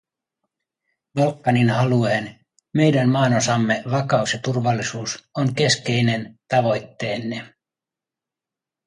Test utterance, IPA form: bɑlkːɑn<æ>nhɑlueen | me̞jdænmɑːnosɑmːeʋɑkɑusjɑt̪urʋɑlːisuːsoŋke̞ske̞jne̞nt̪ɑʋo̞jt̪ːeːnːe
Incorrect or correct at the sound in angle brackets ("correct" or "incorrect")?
incorrect